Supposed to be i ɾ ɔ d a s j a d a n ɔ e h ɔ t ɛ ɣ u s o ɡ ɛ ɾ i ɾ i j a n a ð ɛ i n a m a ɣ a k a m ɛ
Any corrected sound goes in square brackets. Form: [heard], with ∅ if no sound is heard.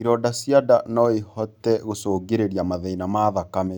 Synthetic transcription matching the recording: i ɾ ɔ d a s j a d a n ɔ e h ɔ t ɛ ɣ [o] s o ɡ [e] ɾ [e] ɾ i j a [m] a ð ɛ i n a m a [ð] a k a m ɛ